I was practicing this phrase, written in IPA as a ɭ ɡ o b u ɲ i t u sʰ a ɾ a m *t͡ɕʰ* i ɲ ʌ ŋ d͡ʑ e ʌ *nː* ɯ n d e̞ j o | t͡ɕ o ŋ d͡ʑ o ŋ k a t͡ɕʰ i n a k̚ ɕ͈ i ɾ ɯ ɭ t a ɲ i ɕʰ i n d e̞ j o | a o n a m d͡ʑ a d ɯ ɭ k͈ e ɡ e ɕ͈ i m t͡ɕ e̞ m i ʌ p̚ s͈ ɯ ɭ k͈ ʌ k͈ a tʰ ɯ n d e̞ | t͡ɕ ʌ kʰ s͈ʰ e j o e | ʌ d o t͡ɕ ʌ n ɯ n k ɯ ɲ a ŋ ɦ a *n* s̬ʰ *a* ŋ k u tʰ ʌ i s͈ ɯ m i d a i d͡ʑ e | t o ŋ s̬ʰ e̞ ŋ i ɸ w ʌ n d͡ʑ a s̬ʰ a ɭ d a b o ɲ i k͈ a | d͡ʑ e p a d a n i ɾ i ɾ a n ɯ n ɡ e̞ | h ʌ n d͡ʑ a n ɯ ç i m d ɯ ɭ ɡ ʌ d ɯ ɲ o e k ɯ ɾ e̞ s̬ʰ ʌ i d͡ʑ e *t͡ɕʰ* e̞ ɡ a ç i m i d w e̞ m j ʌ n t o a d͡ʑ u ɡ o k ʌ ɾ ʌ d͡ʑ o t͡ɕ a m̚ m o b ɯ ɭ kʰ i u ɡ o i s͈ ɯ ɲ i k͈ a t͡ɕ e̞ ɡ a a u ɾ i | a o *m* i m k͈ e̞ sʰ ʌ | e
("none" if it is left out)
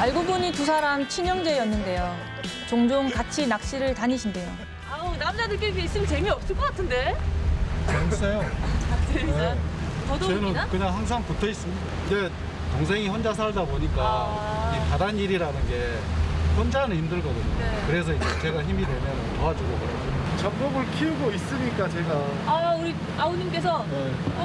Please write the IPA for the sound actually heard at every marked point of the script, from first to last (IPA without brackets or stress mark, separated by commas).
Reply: t͡ɕʰ, nː, ŋ, a, t͡ɕ, ɲ